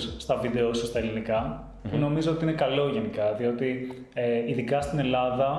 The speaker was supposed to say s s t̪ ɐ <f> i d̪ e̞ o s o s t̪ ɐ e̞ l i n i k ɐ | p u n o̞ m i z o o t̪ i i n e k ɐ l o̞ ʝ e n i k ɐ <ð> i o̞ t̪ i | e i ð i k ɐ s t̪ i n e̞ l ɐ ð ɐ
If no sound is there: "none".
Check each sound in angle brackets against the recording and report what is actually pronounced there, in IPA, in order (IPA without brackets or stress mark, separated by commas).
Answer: v, ð